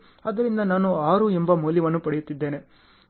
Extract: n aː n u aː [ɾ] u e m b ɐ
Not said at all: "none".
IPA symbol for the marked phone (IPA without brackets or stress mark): ɾ